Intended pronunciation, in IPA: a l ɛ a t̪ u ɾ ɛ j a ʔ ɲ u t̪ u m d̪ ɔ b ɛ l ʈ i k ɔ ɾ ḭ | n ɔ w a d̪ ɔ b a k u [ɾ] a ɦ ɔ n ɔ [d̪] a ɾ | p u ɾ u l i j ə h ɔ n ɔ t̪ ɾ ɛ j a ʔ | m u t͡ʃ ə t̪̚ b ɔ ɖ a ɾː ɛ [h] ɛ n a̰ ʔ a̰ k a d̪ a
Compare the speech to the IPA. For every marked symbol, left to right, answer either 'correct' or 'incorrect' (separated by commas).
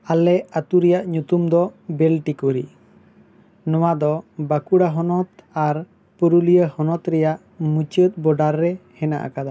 incorrect, incorrect, correct